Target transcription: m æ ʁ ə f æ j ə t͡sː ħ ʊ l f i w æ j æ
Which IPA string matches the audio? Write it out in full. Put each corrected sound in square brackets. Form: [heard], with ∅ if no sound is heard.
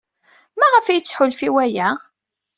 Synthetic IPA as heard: m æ ʁ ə f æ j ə t͡sː ħ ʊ l f i w æ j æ